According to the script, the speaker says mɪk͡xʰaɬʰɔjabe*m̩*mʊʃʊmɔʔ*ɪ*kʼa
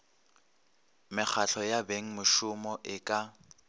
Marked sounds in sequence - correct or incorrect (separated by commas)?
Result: incorrect, correct